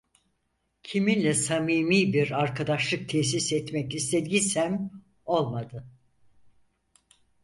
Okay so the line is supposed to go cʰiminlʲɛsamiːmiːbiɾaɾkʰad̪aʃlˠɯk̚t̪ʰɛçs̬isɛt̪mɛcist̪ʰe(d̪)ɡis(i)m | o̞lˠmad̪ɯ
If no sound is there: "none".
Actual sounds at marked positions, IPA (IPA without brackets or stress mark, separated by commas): d̪, æ